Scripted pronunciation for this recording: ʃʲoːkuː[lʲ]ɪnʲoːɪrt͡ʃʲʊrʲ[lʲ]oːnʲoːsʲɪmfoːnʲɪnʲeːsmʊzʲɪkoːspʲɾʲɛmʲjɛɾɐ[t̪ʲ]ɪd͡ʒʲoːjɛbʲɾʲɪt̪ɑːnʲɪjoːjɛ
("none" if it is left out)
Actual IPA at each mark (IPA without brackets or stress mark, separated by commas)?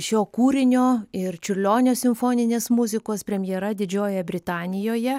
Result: ɾʲ, lʲ, d̪ʲ